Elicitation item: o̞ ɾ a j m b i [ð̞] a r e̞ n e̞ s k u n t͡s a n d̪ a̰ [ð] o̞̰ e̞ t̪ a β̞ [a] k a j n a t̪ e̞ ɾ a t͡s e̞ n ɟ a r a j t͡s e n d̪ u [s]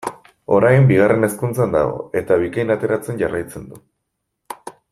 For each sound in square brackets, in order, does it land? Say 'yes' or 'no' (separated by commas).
no, no, no, no